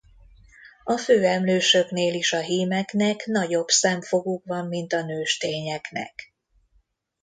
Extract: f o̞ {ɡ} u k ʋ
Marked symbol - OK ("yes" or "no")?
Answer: yes